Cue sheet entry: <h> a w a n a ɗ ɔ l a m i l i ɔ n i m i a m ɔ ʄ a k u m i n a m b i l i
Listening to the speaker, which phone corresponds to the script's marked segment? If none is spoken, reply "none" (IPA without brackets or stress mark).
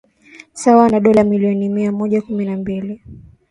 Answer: s